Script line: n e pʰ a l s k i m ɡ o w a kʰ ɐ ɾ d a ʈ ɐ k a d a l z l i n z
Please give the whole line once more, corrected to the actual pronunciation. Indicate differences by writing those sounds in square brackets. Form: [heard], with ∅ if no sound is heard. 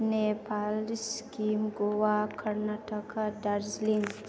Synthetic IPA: n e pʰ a l s k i m ɡ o w a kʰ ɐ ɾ [n] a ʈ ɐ k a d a [ɾ] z l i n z

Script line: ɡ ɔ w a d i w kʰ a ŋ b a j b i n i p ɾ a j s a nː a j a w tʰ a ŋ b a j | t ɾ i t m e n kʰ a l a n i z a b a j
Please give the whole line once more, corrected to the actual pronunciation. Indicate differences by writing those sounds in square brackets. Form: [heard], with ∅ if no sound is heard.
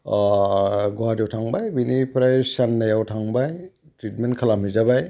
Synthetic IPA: ɡ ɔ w a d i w [tʰ] a ŋ b a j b i n i p ɾ a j s a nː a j a w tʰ a ŋ b a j | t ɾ i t m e n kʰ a l a [m] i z a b a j

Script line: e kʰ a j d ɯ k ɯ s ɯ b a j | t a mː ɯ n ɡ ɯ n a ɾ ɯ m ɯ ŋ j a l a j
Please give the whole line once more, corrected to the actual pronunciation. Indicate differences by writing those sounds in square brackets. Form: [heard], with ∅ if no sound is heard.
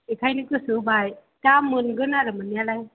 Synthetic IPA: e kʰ a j [n] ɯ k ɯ s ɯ b a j | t a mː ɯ n ɡ ɯ n a ɾ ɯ m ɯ [n] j a l a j

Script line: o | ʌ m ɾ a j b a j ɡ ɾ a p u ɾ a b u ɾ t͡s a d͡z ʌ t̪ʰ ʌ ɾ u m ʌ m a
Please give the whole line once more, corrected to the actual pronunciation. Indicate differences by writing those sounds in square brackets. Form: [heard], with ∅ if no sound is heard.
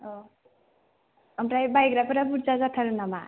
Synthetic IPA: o | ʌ m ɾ a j b a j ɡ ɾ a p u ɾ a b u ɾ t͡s a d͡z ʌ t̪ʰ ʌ ɾ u [n] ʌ m a

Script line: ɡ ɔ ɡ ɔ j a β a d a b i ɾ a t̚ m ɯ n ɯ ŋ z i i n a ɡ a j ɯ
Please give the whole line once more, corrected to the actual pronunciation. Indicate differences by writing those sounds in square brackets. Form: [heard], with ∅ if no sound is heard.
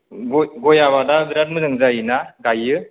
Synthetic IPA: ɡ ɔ ɡ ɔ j a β a d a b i ɾ a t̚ m ɯ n ɯ ŋ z [a] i n a ɡ a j ɯ

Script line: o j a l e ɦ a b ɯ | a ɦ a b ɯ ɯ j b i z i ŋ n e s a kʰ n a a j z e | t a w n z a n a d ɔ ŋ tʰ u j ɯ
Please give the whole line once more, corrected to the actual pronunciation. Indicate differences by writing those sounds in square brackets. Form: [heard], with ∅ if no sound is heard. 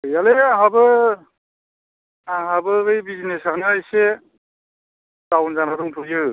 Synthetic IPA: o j a l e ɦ a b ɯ | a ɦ a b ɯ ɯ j b i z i [∅] n e s a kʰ n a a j [s] e | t a w n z a n a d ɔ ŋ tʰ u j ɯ

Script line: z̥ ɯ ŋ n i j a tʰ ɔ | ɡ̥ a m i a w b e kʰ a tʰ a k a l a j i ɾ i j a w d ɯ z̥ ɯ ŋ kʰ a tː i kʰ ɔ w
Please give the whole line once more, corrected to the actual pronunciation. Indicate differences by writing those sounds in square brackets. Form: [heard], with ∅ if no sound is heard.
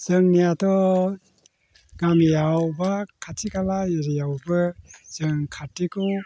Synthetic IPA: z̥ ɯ ŋ n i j a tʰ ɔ | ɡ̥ a m [j] a w b [a] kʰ a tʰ [i] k a l a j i ɾ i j a w [b] ɯ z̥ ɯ ŋ kʰ a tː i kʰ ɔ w

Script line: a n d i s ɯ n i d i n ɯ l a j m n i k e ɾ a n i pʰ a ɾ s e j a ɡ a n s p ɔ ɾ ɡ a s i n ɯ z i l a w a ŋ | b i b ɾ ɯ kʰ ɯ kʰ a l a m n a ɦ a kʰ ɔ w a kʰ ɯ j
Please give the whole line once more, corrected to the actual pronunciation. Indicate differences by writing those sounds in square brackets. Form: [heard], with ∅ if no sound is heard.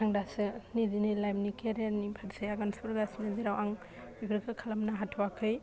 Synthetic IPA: a [ŋ] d [a] s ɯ n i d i n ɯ l a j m n i k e ɾ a n i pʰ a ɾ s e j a ɡ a n s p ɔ ɾ ɡ a s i n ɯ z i [ɾ] a w a ŋ | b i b ɾ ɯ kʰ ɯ kʰ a l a m n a ɦ a [tʰ] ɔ w a kʰ ɯ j

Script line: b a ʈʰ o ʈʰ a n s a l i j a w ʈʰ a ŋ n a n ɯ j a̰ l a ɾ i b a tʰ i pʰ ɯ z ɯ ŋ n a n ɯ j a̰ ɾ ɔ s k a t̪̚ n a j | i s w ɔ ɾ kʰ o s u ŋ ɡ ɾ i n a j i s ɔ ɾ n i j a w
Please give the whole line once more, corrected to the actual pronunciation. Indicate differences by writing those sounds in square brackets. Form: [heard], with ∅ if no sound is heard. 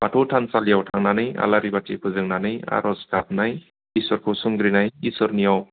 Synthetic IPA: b a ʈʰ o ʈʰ a n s a l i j a w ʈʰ a ŋ n a n ɯ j a̰ l a ɾ i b a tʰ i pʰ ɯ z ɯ ŋ n a n ɯ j a̰ ɾ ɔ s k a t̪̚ n a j | i s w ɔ ɾ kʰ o s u ŋ ɡ ɾ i n a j i s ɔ ɾ n i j a w

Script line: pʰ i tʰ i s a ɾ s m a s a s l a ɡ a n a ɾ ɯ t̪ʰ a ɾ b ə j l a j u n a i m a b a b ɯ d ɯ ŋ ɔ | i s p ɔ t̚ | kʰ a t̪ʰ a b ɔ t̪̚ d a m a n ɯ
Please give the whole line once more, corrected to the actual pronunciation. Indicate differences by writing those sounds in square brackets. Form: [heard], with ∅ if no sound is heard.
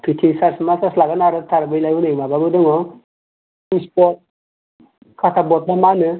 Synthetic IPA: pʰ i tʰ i s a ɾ s m a s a s l a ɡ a n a ɾ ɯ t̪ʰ a ɾ b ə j l a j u n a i m a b a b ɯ d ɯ ŋ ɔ | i s p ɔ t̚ | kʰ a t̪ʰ a b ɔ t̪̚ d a m a n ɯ

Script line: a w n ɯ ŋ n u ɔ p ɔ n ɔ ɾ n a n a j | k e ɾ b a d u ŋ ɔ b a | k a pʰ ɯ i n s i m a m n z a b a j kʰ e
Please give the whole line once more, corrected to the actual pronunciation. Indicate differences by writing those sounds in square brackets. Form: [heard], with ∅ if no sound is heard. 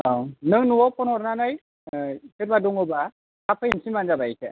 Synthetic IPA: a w n ɯ ŋ n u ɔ p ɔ n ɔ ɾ n a n a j | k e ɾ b a d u ŋ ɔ b a | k a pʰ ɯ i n s i m a [∅] n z a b a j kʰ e

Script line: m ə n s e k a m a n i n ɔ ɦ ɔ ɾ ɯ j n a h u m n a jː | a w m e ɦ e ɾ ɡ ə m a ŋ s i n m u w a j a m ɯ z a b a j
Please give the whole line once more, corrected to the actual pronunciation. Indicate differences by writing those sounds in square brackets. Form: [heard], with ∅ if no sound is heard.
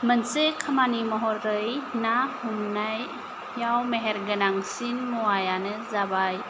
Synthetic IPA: m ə n s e [kʰ] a m a n i [m] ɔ ɦ ɔ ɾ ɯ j n a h u m n a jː | a w m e ɦ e ɾ ɡ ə [n] a ŋ s i n m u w a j a [n] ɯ z a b a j

